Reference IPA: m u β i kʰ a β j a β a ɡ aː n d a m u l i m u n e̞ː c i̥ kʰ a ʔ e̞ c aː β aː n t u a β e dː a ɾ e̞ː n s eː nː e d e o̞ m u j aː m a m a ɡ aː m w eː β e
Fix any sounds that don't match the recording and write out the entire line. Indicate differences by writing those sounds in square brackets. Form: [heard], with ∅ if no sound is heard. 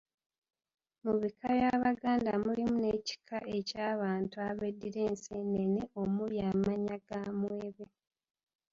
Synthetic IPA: m u β i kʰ a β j a β a ɡ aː n d a m u l i m u n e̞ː c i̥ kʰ a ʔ e̞ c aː β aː n t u a β e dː [i] ɾ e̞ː n s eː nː e [n] e o̞ m u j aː m a [ɲ] a ɡ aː m w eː β e